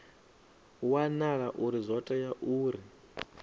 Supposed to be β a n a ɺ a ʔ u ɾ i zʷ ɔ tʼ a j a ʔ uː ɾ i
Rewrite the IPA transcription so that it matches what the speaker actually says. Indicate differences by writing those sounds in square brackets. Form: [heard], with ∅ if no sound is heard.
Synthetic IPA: [w] a n a ɺ a ʔ u ɾ i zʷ ɔ tʼ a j a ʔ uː ɾ i